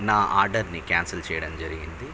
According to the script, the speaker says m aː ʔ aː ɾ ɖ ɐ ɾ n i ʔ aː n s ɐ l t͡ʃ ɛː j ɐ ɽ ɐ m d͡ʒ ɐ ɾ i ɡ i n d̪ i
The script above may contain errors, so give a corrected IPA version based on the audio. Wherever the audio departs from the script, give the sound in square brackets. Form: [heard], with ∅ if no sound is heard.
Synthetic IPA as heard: [n] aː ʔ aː ɾ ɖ ɐ ɾ n i [k] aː n s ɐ l t͡ʃ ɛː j ɐ ɽ ɐ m d͡ʒ ɐ ɾ i ɡ i n d̪ i